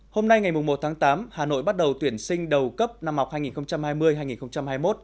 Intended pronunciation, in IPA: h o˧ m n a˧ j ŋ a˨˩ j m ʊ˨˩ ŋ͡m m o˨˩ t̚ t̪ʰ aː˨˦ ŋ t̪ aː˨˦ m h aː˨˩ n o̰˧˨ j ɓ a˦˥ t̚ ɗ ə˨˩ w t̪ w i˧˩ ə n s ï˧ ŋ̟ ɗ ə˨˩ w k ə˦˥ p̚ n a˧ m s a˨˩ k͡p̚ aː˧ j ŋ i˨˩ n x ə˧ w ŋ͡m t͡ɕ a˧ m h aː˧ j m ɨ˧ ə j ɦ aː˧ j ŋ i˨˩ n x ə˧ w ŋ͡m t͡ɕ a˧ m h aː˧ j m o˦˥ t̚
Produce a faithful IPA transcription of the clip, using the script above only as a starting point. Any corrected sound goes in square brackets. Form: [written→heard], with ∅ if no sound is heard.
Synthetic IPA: h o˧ m n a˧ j ŋ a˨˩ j m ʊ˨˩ ŋ͡m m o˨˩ t̚ t̪ʰ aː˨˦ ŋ t̪ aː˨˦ m h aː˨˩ n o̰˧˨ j ɓ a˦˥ t̚ ɗ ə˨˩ w t̪ w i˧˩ ə n s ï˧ ŋ̟ ɗ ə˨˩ w k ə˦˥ p̚ n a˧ m [s→h] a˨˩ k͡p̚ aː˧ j ŋ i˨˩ n x ə˧ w ŋ͡m t͡ɕ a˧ m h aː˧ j m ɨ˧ ə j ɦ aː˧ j ŋ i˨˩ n x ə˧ w ŋ͡m t͡ɕ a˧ m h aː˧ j m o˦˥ t̚

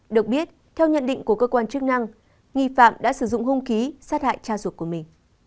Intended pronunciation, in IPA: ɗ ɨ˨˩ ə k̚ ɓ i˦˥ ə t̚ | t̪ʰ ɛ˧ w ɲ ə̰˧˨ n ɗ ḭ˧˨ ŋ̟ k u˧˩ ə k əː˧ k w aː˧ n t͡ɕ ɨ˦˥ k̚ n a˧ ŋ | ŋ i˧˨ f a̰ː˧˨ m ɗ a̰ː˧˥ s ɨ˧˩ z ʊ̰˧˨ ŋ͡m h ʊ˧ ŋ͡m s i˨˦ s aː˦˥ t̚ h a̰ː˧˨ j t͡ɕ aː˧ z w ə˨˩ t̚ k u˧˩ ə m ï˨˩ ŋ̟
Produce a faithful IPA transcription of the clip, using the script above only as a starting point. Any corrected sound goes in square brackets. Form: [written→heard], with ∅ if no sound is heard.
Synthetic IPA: ɗ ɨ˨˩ ə k̚ ɓ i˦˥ ə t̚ | t̪ʰ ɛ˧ w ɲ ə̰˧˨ n ɗ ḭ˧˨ ŋ̟ k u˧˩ ə k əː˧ k w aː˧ n t͡ɕ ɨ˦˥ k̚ n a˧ ŋ | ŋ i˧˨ f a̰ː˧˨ m ɗ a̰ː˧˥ s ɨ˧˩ z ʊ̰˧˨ ŋ͡m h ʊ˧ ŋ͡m [s→x] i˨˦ s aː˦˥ t̚ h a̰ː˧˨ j t͡ɕ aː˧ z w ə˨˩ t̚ k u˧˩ ə m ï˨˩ ŋ̟

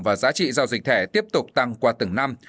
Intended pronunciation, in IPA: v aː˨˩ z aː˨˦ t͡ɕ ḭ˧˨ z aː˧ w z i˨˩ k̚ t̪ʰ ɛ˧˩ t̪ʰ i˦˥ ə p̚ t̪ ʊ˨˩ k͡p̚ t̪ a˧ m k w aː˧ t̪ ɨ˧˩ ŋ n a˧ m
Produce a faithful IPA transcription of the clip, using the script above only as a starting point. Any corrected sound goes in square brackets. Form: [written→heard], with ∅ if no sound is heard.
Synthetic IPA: v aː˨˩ z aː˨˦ t͡ɕ ḭ˧˨ z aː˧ w z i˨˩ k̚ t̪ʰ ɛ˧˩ [t̪ʰ→t̪] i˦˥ ə p̚ t̪ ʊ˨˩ k͡p̚ t̪ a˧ [m→ŋ] k w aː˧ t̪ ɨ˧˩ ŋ n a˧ m

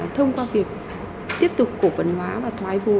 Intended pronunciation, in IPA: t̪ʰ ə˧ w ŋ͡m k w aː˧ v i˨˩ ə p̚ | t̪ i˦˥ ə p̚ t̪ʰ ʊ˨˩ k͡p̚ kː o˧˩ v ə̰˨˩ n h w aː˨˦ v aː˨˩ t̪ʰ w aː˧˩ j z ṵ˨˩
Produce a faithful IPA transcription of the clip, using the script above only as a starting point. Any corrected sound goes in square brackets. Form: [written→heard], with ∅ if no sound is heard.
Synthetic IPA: t̪ʰ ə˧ w ŋ͡m k w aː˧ v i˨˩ ə [p̚→k̚] | t̪ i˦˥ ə p̚ [t̪ʰ→t̪] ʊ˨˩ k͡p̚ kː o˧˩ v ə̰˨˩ n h w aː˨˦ v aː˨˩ t̪ʰ w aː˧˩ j [z→v] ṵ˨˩

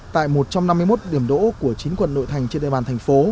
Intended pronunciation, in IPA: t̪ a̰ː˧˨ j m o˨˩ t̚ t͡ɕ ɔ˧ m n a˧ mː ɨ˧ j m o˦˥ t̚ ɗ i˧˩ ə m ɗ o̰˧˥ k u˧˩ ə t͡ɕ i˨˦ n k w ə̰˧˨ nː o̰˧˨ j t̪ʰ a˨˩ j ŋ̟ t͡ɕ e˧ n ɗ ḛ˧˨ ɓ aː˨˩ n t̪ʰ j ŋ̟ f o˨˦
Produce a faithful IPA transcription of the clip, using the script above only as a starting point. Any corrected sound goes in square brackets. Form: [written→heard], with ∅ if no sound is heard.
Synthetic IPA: t̪ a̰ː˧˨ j m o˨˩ t̚ t͡ɕ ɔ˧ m n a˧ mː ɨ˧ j m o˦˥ t̚ ɗ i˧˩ ə m ɗ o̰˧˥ k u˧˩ ə t͡ɕ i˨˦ n k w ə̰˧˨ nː o̰˧˨ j t̪ʰ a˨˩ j ŋ̟ t͡ɕ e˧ n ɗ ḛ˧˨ ɓ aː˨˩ n t̪ʰ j ŋ̟ f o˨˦

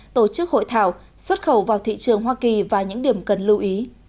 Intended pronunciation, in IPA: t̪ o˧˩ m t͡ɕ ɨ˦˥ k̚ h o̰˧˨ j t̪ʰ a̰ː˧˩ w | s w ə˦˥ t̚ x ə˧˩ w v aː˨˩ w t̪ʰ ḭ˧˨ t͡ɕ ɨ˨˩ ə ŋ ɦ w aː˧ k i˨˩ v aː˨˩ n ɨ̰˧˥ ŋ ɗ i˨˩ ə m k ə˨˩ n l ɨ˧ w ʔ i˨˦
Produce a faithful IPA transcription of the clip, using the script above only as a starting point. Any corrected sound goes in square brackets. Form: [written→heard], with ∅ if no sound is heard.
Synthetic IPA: t̪ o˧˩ [m→∅] t͡ɕ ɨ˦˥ k̚ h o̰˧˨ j t̪ʰ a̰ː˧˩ w | s w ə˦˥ t̚ x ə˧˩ w v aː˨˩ w t̪ʰ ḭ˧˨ t͡ɕ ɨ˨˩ ə ŋ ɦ w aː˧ k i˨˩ v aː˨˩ [n→ɲ] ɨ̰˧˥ ŋ ɗ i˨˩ ə m k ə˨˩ n l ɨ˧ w ʔ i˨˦

